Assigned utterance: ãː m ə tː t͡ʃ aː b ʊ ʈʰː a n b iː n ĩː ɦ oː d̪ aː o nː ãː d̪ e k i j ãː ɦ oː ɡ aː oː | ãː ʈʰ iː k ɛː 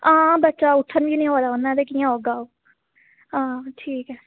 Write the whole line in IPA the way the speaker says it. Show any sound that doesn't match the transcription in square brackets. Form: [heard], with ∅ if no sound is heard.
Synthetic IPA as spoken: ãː [b] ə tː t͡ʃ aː [∅] ʊ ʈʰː [ə] n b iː n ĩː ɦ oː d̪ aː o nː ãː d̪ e k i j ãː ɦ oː ɡ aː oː | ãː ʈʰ iː k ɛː